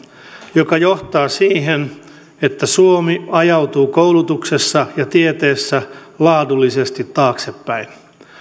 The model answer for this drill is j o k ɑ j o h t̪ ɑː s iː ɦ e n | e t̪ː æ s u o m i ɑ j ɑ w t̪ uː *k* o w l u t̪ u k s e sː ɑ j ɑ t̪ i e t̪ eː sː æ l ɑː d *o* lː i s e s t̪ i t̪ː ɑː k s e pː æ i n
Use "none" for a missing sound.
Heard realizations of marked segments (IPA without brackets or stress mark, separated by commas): k, u